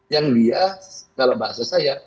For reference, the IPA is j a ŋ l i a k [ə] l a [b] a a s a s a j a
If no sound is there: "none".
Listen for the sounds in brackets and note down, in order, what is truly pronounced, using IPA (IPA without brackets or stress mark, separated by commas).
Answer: a, b